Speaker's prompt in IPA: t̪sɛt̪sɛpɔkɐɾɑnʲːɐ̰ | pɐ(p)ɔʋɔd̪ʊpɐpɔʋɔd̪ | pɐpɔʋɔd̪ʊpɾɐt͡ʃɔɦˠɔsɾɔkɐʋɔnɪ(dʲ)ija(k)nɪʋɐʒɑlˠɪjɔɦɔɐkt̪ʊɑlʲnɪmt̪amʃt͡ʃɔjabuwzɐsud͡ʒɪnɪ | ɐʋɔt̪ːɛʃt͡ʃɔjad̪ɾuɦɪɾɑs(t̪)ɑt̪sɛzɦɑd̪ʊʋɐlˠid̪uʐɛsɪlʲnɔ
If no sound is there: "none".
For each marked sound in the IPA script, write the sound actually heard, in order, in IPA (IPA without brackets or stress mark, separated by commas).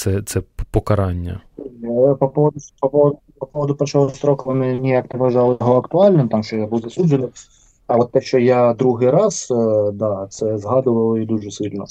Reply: p, nʲ, k, d̪